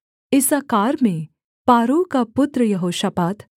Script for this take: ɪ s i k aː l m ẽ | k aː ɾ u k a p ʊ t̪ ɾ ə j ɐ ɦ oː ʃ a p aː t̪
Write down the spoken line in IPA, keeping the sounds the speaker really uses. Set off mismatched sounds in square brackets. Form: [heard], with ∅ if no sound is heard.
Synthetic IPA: ɪ s [a] k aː [ɾ] m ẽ | [p] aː ɾ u k a p ʊ t̪ ɾ ə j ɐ ɦ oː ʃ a p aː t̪